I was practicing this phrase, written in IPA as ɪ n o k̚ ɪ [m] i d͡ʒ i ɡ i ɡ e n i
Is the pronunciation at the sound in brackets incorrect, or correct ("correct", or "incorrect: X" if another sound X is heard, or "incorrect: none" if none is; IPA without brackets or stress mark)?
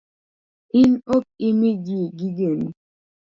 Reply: correct